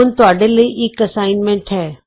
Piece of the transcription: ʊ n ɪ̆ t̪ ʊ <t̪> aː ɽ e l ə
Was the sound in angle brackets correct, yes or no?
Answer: no